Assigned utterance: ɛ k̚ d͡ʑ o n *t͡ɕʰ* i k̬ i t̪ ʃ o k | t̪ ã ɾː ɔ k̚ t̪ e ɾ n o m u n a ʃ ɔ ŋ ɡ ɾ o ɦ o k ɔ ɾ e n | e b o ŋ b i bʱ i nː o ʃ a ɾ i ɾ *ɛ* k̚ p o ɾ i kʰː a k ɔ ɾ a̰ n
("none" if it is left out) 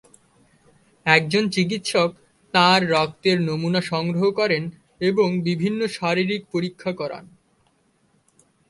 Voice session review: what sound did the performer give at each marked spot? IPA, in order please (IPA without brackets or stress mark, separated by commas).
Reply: t͡ɕ, i